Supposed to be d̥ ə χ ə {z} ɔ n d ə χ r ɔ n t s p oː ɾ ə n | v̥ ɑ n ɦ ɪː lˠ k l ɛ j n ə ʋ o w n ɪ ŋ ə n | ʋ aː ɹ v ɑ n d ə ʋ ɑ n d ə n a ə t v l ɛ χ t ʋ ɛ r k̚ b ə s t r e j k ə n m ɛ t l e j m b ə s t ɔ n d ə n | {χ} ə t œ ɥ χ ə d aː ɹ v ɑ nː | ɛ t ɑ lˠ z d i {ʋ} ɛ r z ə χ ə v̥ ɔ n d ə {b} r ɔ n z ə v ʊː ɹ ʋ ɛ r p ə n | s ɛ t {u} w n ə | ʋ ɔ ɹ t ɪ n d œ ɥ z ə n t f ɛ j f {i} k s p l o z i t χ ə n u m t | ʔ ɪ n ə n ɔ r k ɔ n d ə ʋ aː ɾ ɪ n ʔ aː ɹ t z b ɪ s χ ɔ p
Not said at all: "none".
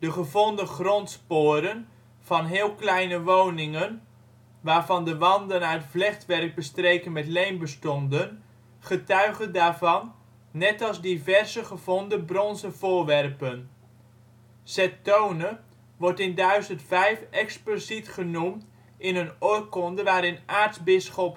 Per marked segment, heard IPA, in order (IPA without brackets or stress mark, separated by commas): v, χ, v, b, o, ɛ